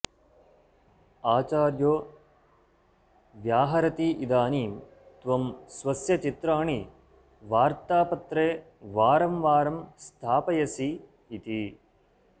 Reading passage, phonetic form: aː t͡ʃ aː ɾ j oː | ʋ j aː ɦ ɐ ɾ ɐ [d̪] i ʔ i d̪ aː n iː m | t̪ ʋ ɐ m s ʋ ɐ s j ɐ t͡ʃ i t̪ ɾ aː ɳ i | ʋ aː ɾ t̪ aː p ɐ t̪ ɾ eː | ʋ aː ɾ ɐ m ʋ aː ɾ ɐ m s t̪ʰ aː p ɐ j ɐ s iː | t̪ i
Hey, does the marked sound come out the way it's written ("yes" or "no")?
no